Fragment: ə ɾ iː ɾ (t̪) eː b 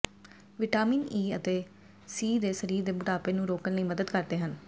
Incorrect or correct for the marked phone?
incorrect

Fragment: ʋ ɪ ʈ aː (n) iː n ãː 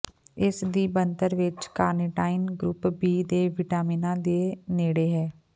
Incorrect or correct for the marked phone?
incorrect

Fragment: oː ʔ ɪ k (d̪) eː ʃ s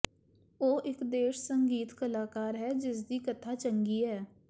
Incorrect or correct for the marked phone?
correct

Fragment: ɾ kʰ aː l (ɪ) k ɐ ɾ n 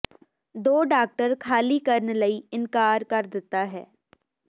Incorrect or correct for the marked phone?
incorrect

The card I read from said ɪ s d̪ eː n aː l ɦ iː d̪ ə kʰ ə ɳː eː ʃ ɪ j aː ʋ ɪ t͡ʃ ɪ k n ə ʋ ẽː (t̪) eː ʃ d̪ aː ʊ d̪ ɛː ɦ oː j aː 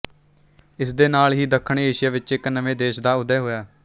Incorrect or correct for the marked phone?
incorrect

